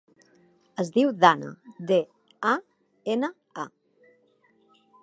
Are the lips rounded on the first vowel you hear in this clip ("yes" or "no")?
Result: no